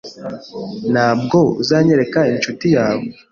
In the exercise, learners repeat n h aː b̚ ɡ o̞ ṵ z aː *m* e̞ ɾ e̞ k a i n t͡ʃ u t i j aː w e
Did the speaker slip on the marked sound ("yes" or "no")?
yes